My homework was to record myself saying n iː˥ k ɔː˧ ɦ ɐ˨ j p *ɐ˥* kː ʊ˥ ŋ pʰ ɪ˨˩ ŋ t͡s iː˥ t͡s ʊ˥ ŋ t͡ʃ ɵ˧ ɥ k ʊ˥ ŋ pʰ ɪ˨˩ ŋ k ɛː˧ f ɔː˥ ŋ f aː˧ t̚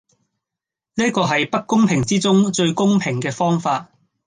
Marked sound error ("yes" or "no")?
no